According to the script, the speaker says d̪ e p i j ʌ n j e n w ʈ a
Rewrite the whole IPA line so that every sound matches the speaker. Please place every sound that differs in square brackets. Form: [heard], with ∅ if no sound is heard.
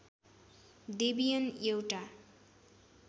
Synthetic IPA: d̪ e [b] i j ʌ n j e [∅] w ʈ a